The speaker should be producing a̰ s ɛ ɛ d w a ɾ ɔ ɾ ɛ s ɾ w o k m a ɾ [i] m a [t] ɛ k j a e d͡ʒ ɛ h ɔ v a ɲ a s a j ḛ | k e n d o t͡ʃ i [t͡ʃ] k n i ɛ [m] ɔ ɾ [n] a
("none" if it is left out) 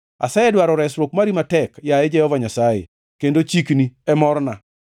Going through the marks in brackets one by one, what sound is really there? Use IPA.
i, t, none, m, n

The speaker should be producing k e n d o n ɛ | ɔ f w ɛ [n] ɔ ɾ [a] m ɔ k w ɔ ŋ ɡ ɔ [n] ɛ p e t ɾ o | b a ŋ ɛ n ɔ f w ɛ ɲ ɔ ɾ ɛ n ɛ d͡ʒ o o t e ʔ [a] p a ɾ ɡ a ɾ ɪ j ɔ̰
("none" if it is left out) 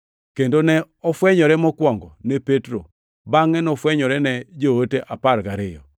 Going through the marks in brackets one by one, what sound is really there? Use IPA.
ɲ, ɛ, n, a

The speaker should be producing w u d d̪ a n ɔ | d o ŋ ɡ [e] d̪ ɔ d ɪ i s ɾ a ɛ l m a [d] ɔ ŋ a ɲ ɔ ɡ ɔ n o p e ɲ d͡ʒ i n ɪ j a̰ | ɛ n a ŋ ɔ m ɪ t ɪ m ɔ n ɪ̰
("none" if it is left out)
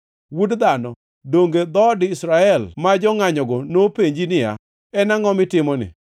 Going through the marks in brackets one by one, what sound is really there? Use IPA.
e, d͡ʒ

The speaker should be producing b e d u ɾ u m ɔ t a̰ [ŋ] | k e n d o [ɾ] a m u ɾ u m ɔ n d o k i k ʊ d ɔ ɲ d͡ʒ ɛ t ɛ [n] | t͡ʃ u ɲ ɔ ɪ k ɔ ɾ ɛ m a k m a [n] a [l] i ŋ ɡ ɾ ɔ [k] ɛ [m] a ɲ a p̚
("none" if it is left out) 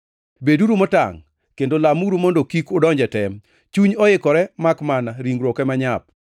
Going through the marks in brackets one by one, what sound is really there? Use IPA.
ŋ, l, m, n, ɾ, k, m

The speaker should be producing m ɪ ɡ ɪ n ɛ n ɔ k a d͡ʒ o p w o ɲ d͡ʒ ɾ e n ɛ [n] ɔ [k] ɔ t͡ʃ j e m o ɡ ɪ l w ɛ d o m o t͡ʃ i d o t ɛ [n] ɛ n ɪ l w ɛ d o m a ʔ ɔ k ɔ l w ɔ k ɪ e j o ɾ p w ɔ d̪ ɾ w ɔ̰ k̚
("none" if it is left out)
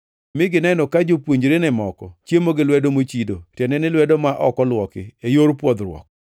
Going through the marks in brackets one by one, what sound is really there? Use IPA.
m, k, n

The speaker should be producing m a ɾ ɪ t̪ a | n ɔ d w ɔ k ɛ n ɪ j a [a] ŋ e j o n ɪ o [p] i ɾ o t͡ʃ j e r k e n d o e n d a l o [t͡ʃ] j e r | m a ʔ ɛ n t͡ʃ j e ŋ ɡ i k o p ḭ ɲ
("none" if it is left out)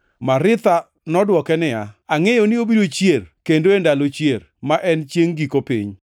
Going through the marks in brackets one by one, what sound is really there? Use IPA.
a, b, t͡ʃ

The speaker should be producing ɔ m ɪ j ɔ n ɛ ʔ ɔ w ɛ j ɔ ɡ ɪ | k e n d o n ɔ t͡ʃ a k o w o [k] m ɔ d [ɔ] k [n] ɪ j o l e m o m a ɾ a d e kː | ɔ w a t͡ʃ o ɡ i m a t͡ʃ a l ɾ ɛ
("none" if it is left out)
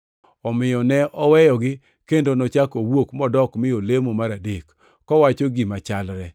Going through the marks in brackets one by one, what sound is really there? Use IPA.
k, ɔ, m

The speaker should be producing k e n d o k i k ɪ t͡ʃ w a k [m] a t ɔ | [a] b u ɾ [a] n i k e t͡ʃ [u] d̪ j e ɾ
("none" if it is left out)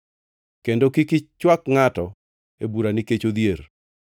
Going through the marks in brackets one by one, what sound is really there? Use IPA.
ŋ, e, a, o

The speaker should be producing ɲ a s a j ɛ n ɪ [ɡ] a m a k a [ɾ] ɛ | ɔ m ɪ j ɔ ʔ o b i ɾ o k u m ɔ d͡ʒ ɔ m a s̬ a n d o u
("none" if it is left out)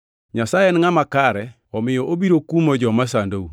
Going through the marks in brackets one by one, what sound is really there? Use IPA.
ŋ, ɾ

